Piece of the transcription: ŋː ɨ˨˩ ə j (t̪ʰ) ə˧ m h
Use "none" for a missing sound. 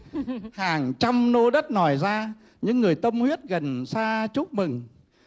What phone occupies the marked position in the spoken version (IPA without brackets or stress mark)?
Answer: t̪